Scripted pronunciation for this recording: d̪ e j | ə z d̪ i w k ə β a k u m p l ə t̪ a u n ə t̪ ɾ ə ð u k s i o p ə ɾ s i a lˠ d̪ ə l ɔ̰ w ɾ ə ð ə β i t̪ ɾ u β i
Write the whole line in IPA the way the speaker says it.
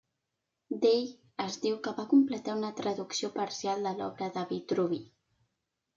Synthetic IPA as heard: d̪ e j | ə z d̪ i w k ə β a k u m p l ə t̪ a u n ə t̪ ɾ ə ð u k s i o p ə ɾ s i a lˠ d̪ ə l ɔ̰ β ɾ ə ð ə β i t̪ ɾ u β i